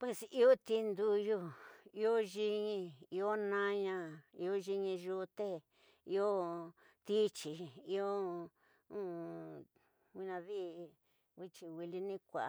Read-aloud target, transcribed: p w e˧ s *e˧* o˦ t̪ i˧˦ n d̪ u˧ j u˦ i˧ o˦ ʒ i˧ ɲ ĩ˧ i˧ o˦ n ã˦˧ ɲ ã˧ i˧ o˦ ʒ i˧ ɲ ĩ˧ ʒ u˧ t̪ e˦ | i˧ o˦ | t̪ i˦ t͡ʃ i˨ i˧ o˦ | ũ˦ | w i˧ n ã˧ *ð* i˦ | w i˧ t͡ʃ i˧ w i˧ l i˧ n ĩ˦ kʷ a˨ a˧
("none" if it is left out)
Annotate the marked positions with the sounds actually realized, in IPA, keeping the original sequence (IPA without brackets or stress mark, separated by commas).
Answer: i˧, ð